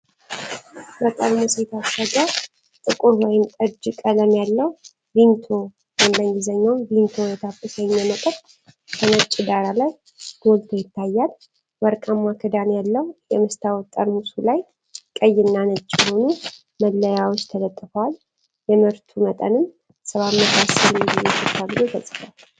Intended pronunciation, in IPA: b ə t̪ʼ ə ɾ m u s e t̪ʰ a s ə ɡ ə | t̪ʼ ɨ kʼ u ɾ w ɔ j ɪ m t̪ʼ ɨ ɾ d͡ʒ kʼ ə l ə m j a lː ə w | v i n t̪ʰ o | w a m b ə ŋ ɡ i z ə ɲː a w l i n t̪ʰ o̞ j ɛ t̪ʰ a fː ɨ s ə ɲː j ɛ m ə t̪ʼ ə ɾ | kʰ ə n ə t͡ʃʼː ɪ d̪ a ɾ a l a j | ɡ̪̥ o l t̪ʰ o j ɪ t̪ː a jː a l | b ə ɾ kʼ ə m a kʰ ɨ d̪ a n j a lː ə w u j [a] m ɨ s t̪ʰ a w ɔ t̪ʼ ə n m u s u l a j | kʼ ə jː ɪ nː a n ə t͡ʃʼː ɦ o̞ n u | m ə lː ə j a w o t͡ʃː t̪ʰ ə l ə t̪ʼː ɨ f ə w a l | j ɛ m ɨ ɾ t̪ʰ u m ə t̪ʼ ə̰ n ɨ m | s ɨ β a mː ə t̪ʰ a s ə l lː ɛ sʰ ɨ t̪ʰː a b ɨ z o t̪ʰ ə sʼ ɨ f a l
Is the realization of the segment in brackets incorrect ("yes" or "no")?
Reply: yes